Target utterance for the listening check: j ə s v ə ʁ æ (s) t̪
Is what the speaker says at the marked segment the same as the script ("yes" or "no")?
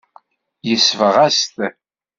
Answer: yes